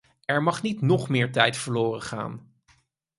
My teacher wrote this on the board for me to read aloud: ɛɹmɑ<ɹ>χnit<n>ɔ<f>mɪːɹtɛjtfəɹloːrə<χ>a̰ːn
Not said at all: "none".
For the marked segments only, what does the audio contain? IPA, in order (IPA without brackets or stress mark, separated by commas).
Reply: none, n, χ, χ